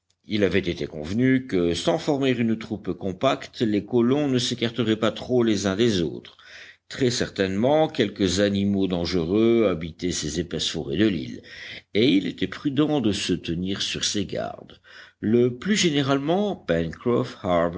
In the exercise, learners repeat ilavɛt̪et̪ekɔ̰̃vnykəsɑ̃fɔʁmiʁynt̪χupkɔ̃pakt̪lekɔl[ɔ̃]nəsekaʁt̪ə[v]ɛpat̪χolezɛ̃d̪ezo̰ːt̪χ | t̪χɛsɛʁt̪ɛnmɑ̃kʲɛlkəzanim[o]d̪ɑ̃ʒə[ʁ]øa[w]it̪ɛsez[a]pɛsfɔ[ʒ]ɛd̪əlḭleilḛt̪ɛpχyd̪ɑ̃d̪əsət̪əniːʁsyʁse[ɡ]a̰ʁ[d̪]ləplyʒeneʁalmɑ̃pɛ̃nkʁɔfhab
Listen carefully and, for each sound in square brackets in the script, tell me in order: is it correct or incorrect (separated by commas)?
correct, incorrect, correct, correct, incorrect, incorrect, incorrect, correct, correct